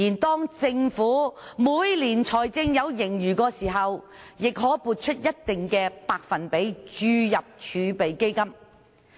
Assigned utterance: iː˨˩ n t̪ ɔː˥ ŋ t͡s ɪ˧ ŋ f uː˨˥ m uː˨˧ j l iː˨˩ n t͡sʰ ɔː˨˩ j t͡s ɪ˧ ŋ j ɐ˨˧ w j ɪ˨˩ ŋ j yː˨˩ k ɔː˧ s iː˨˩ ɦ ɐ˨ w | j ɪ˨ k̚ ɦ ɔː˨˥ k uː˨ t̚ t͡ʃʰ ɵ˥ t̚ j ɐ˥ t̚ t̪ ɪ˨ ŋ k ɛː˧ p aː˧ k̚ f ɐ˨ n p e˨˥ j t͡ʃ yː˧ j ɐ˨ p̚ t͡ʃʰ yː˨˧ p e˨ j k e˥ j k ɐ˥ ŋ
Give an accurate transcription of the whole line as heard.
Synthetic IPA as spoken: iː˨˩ n t̪ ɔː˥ ŋ t͡s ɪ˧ ŋ f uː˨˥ m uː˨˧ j l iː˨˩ n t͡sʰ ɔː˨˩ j t͡s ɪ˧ ŋ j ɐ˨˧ w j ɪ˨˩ ŋ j yː˨˩ k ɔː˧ s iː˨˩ ɦ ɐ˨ w | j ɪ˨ k̚ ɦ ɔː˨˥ p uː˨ t̚ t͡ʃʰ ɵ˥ t̚ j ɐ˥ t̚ t̪ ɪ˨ ŋ k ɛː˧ p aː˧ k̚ f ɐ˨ n p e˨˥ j t͡ʃ yː˧ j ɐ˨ p̚ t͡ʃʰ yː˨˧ p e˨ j k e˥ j k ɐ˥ m